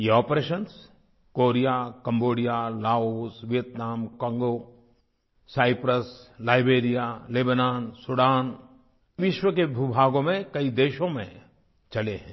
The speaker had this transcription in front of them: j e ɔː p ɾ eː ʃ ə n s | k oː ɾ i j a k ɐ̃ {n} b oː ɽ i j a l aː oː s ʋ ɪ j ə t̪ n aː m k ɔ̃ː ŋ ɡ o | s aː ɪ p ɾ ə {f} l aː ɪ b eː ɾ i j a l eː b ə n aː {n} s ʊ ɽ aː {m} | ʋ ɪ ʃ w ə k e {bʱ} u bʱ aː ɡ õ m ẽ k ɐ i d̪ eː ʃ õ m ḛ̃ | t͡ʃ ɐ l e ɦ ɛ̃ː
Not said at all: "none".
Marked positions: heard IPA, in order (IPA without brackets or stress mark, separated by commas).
m, s, n, n, bʱ